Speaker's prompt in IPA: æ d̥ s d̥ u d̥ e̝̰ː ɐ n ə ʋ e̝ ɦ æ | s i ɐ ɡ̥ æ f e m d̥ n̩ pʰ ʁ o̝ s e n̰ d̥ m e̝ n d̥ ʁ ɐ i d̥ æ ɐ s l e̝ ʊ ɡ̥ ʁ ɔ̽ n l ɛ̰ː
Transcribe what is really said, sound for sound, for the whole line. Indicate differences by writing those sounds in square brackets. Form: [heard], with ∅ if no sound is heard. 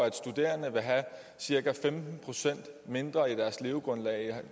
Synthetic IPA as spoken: æ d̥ s d̥ u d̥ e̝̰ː ɐ n ə ʋ e̝ ɦ æ | s i ɐ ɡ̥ æ f e m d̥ n̩ pʰ ʁ o̝ s e n̰ d̥ m e̝ n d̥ ʁ ɐ i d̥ æ ɐ s l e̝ ʊ ɡ̥ ʁ ɔ̽ n l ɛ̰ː